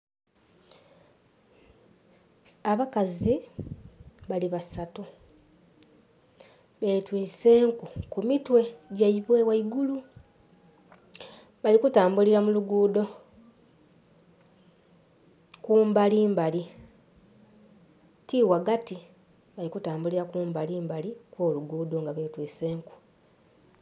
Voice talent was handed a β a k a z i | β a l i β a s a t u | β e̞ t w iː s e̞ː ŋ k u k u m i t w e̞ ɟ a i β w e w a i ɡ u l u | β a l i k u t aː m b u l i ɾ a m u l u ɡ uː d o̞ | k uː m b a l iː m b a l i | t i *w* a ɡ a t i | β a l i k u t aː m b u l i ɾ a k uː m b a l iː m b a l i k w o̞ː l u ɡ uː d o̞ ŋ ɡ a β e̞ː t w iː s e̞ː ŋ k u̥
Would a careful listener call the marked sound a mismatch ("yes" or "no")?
no